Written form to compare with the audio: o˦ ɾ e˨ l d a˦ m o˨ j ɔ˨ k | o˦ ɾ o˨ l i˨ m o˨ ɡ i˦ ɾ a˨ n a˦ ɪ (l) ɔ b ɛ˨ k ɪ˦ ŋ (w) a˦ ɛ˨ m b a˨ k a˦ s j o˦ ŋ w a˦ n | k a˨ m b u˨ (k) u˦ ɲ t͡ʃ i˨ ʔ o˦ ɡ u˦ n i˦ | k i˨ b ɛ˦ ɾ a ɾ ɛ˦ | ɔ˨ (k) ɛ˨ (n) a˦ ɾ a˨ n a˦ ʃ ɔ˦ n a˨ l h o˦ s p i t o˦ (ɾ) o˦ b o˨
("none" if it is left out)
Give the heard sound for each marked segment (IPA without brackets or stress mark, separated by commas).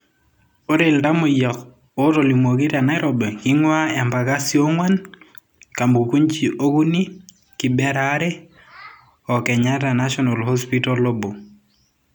ɾ, w, k, k, ɲ, l